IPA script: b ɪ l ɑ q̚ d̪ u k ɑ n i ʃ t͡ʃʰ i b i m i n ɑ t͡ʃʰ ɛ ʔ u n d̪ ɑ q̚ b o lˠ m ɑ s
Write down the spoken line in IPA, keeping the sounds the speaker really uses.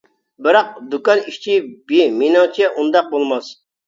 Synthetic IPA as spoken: b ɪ ɾ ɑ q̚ d̪ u k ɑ n i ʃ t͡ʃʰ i b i m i n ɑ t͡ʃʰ ɛ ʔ u n d̪ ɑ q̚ b o lˠ m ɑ s

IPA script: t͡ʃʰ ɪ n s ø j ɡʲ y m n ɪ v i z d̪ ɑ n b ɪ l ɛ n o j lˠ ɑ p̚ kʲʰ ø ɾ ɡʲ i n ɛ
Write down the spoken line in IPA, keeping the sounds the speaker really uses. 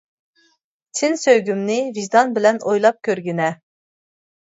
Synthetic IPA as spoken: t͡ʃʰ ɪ n s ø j ɡʲ y m n ɪ v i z d̪ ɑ n b ɪ l ɛ n o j lˠ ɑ p̚ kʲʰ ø ɾ ɡʲ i n ɛ

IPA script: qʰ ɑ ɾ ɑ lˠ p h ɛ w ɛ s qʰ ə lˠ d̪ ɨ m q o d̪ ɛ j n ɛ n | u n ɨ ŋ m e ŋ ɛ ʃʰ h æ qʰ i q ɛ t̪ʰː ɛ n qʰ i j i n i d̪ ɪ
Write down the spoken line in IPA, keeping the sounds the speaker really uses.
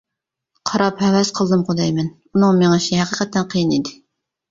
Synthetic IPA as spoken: qʰ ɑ ɾ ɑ p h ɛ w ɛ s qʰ ə lˠ d̪ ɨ m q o d̪ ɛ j m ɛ n | u n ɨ ŋ m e ŋ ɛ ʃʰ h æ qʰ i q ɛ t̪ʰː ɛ n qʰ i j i n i d̪ ɪ

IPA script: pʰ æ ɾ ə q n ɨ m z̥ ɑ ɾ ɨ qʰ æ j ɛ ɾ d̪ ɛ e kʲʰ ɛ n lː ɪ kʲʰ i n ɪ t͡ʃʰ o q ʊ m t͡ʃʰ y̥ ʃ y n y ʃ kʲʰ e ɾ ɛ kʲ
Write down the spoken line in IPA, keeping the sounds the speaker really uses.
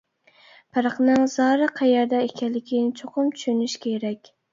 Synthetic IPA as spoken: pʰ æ ɾ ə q n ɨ ŋ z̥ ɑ ɾ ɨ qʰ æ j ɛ ɾ d̪ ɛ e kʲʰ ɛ n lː ɪ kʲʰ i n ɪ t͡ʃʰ o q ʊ m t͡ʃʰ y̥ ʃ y n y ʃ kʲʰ e ɾ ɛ kʲ

